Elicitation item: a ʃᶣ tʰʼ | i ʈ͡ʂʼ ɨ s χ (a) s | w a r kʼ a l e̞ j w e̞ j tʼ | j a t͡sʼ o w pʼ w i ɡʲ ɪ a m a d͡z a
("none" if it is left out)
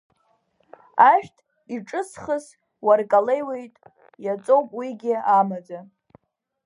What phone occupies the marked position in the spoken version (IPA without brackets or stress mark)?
ə